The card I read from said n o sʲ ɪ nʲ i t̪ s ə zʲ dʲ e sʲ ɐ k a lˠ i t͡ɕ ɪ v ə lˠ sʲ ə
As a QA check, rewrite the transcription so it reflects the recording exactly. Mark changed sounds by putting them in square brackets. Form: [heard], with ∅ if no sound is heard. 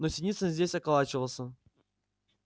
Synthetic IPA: n o sʲ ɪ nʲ i t̪ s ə zʲ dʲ e sʲ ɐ k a lˠ [a] t͡ɕ ɪ v ə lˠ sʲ ə